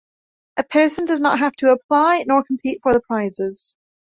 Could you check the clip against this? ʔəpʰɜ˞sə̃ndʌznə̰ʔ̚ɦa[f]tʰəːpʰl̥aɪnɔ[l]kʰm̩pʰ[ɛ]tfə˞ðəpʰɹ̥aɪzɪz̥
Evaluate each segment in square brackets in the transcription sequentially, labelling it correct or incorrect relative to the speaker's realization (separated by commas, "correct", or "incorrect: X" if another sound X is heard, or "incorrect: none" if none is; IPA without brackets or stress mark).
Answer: correct, incorrect: ɹ, incorrect: i